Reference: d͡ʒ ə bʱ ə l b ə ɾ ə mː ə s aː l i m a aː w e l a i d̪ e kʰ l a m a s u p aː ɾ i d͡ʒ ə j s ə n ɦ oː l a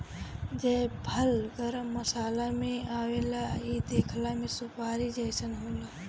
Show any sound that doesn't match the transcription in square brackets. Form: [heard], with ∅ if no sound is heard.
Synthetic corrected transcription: d͡ʒ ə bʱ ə l [ɡ] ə ɾ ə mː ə s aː l [a] m [e] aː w e l a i d̪ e kʰ l a m [e] s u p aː ɾ i d͡ʒ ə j s ə n ɦ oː l a